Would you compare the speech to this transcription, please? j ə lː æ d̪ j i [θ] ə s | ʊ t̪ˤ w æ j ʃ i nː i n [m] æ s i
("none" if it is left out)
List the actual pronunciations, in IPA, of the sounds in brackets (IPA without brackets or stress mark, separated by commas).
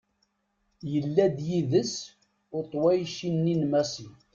ð, m